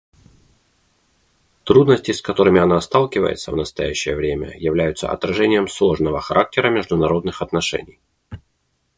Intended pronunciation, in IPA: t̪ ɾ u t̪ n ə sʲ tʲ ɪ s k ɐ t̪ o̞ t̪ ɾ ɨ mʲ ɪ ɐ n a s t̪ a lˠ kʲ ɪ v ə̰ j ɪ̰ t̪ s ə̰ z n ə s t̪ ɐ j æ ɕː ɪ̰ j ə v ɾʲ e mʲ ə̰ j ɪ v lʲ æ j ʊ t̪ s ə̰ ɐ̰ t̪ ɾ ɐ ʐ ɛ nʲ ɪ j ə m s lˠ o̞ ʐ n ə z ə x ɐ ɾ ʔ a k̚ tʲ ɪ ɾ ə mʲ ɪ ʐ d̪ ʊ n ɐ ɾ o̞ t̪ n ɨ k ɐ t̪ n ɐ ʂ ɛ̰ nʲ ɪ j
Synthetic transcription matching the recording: t̪ ɾ u d̪ n ə sʲ tʲ ɪ s k ɐ t̪ o̞ ɾ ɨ mʲ ɪ ɐ n a s t̪ a lˠ kʲ ɪ v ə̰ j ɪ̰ t̪ s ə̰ v n ə s t̪ ɐ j æ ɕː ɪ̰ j ə v ɾʲ e mʲ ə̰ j ɪ v lʲ æ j ʊ t̪ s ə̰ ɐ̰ t̪ ɾ ɐ ʐ ɛ nʲ ɪ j ə m s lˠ o̞ ʐ n ə v ə x ɐ ɾ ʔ a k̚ tʲ ɪ ɾ ə mʲ ɪ ʐ d̪ ʊ n ɐ ɾ o̞ d̪ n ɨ x ɐ t̪ n ɐ ʂ ɛ̰ nʲ ɪ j